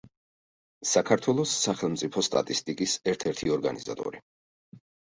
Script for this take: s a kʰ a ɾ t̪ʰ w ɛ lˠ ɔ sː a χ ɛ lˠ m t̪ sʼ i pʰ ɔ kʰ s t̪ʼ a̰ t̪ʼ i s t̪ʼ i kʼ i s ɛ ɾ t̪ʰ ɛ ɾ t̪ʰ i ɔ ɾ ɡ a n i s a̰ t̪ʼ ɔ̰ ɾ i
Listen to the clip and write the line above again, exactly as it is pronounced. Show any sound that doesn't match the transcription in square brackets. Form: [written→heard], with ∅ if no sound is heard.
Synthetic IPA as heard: s a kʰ a ɾ t̪ʰ w ɛ lˠ ɔ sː a χ ɛ lˠ m t̪ sʼ i pʰ ɔ [kʰ→∅] s t̪ʼ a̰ t̪ʼ i s t̪ʼ i kʼ i s ɛ ɾ t̪ʰ ɛ ɾ t̪ʰ i ɔ ɾ ɡ a n i [s→z] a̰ t̪ʼ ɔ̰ ɾ i